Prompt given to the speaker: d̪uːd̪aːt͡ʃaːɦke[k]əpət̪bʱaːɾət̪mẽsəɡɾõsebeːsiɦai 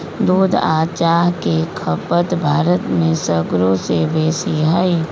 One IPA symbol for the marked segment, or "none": kʰ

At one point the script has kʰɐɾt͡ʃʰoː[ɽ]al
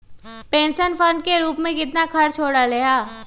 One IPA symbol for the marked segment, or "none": ɽ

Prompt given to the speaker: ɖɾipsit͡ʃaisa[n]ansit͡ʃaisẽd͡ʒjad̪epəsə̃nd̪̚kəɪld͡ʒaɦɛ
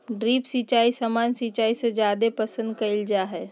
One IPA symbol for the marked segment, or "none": m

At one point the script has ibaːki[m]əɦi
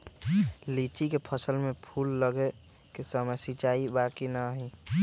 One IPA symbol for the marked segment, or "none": n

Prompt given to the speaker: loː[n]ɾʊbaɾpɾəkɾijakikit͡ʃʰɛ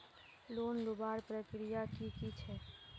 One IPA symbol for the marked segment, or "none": n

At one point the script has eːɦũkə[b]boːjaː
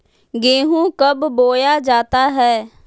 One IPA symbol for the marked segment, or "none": b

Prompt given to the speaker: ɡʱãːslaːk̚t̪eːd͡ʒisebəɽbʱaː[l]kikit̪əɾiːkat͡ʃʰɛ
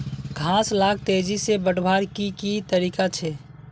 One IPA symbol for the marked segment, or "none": ɾ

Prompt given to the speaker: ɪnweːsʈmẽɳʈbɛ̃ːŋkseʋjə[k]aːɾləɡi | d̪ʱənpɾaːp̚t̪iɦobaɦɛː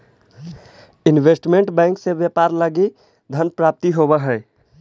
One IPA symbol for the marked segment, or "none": p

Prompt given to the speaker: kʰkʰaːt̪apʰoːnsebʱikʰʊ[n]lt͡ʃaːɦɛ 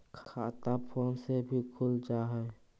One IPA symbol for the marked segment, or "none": none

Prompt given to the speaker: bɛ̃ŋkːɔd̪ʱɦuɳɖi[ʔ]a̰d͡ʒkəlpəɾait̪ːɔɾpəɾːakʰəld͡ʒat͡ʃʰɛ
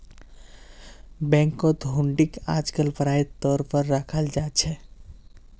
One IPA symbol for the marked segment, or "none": k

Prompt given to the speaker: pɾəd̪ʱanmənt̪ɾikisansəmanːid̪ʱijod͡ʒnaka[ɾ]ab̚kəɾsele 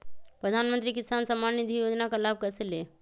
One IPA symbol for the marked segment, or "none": l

